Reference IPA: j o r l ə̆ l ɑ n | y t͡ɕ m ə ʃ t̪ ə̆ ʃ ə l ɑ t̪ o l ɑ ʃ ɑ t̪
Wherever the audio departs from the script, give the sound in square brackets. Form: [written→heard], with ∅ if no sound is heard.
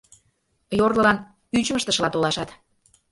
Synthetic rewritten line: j o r l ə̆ l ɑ n | y t͡ɕ m ə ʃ t̪ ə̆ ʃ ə l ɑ t̪ o l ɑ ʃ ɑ t̪